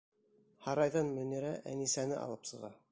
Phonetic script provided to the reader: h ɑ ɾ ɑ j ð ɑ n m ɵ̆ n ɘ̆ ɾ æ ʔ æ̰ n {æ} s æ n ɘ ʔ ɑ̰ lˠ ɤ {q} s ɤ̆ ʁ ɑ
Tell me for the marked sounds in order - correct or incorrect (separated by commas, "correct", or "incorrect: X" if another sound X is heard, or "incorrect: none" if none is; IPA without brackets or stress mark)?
incorrect: i, incorrect: p